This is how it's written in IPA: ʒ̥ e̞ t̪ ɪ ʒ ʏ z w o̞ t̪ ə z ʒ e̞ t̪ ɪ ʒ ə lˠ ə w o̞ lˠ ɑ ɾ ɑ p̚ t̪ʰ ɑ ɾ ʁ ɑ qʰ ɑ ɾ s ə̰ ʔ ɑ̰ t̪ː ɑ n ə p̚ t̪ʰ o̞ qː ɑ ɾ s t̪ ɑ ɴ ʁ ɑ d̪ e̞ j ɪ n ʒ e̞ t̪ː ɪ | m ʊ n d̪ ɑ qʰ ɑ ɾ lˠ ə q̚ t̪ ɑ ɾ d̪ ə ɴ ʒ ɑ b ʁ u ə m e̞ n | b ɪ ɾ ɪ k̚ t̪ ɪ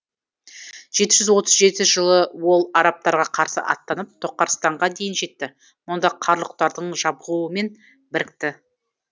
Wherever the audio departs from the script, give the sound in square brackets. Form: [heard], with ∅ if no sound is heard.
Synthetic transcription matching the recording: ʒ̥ e̞ t̪ ɪ ʒ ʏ z w o̞ t̪ ə z ʒ e̞ t̪ ɪ ʒ ə lˠ ə w o̞ lˠ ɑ ɾ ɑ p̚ [t̪] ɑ ɾ ʁ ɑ qʰ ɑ ɾ s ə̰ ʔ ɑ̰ t̪ː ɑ n ə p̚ t̪ʰ o̞ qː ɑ ɾ s t̪ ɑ ɴ ʁ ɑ d̪ e̞ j ɪ n ʒ e̞ t̪ː ɪ | m ʊ n d̪ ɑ qʰ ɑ ɾ lˠ ə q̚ t̪ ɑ ɾ d̪ ə ɴ ʒ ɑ b ʁ u ə m e̞ n | b ɪ ɾ ɪ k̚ t̪ ɪ